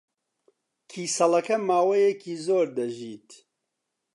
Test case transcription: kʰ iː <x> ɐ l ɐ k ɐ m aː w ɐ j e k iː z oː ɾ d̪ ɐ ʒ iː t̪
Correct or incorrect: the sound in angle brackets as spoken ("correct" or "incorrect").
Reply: incorrect